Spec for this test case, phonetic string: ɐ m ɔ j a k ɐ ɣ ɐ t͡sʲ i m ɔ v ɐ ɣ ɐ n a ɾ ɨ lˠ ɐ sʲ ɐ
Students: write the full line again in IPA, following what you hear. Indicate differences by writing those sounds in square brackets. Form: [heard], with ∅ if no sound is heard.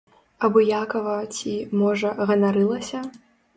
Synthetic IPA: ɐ [b] ɔ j a k ɐ [v] ɐ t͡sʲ i m ɔ [ʐ] ɐ ɣ ɐ n a ɾ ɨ lˠ ɐ sʲ ɐ

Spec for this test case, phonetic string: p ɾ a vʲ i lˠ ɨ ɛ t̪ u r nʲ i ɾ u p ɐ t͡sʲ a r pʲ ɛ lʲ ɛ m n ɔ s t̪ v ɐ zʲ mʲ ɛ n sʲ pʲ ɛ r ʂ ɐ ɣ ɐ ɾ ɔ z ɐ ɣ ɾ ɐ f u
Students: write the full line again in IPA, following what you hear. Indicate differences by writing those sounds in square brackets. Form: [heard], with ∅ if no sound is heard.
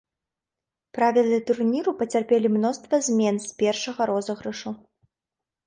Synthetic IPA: p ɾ a vʲ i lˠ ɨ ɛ t̪ u r nʲ i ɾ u p ɐ t͡sʲ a r pʲ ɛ lʲ [i] m n ɔ s t̪ v ɐ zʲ mʲ ɛ n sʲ pʲ ɛ r ʂ ɐ ɣ ɐ ɾ ɔ z ɐ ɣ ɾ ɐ [ʂ] u

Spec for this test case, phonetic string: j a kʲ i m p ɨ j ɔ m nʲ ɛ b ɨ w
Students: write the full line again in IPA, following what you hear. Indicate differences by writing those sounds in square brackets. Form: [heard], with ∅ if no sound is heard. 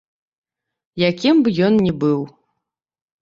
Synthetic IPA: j a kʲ i m [b] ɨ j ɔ [n] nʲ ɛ b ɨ w

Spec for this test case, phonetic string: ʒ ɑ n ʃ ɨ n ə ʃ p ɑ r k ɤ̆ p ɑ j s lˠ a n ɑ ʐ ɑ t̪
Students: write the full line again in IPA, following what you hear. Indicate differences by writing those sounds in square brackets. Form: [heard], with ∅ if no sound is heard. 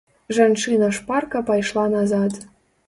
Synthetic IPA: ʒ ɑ n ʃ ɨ n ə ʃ p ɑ r k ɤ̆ p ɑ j [ʃ] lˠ [ɑ] n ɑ [z] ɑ t̪

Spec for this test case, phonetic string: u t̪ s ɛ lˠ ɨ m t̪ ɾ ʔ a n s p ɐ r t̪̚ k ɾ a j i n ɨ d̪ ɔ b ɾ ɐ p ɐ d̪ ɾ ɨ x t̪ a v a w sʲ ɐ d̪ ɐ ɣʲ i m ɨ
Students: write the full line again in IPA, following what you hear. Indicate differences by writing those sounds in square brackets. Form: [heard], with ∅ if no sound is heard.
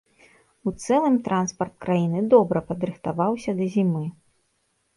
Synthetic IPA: u t̪ s ɛ lˠ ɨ m t̪ ɾ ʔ a n s p ɐ r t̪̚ k ɾ a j i n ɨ d̪ ɔ b ɾ ɐ p ɐ d̪ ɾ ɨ x t̪ a v a w sʲ ɐ d̪ ɐ [zʲ] i m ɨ

